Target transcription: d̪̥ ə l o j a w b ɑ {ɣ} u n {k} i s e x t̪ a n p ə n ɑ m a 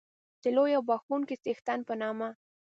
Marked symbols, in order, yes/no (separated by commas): no, yes